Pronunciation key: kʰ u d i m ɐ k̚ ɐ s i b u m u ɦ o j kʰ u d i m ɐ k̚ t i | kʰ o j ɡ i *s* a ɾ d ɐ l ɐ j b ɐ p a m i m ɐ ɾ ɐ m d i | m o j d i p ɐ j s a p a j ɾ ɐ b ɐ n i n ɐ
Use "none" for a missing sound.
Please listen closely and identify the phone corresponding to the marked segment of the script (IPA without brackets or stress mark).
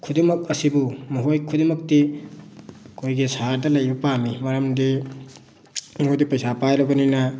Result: s